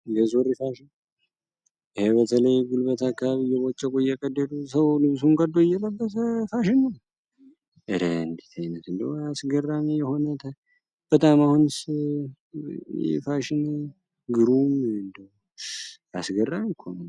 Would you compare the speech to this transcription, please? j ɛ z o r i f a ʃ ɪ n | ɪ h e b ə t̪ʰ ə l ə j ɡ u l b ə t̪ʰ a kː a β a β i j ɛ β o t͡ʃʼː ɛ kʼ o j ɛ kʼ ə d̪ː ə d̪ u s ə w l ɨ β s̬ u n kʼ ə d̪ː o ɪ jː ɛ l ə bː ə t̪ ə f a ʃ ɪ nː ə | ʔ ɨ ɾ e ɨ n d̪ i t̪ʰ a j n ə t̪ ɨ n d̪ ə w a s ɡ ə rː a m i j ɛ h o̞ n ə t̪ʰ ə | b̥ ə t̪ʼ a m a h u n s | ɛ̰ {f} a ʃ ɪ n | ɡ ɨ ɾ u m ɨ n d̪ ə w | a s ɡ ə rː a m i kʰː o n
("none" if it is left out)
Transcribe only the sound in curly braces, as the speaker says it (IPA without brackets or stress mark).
f